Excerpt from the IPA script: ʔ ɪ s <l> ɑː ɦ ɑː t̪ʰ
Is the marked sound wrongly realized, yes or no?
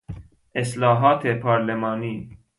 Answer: no